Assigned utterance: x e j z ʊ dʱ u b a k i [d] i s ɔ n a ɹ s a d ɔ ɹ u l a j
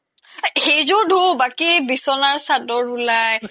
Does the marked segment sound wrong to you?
yes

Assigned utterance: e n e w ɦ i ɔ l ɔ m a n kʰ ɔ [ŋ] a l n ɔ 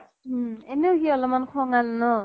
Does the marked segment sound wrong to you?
no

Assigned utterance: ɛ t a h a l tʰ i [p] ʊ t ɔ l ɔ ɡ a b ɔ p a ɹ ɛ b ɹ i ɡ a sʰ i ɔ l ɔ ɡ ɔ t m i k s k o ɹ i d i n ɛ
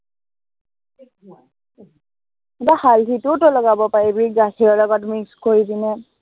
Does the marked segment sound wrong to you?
yes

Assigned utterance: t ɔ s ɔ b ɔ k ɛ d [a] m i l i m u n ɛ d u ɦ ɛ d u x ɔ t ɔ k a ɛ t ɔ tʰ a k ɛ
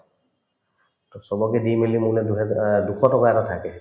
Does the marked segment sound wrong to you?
yes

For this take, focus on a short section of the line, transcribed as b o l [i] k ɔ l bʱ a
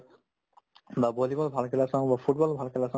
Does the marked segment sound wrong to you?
no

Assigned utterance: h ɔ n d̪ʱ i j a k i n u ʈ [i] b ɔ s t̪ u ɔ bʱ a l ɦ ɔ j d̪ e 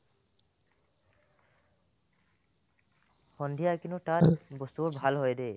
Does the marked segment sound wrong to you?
yes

